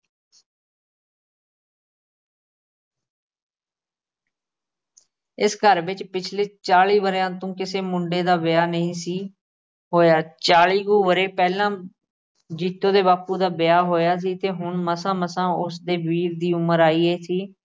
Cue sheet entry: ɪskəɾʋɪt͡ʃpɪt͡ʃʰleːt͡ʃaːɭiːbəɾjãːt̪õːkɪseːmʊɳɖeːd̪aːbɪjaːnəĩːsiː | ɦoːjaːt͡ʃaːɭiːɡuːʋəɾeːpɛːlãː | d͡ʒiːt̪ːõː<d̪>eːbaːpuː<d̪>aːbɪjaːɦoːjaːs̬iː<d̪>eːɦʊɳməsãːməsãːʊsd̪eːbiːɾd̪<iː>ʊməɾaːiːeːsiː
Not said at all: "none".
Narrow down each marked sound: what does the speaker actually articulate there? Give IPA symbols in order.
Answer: d̪, d̪, t̪, iː

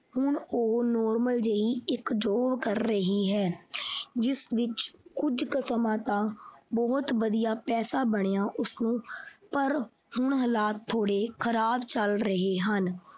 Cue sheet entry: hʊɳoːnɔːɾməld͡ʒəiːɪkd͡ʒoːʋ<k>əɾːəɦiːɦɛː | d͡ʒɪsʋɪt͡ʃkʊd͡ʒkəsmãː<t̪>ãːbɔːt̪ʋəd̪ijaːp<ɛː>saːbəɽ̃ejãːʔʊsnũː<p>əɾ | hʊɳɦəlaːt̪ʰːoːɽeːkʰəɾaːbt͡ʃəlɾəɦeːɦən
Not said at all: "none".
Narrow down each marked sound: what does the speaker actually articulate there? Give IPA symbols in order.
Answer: k, t̪, ɛː, p

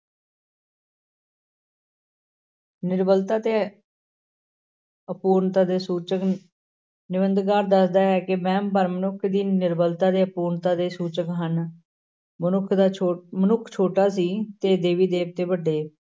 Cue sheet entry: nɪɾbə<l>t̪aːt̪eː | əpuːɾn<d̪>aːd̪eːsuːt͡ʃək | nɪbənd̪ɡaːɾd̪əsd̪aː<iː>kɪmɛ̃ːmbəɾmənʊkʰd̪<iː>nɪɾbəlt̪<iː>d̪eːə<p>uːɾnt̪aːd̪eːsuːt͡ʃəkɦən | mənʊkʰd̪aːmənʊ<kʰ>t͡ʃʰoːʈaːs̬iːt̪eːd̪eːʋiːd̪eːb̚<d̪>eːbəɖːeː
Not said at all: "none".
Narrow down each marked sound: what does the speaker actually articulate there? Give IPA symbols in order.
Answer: l, t̪, ɛː, iː, aː, p, kʰ, t̪

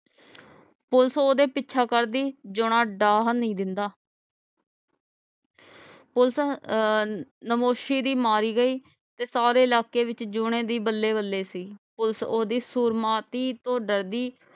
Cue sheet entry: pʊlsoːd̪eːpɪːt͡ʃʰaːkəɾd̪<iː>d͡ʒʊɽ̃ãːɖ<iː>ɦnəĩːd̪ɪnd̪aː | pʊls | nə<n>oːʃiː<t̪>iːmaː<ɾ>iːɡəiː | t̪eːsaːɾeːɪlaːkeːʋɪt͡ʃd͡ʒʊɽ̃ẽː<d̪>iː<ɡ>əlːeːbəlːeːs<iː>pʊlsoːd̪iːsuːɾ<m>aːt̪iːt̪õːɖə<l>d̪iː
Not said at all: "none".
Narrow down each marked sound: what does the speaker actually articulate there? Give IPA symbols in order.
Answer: iː, aː, m, d̪, ɾ, d̪, b, iː, m, ɾ

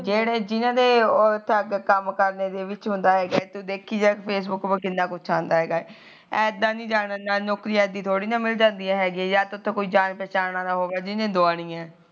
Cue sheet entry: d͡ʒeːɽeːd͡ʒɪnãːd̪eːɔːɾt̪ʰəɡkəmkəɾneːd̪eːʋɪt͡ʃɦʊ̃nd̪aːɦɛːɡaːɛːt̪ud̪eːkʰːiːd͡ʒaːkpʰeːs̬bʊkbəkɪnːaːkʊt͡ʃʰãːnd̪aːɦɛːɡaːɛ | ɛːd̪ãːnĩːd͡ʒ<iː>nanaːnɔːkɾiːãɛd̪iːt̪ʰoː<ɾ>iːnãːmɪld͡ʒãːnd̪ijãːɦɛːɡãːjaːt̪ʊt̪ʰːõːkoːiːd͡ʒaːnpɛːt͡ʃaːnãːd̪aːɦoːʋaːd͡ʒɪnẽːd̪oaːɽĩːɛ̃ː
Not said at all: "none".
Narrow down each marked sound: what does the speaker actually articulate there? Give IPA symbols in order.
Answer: aː, ɽ

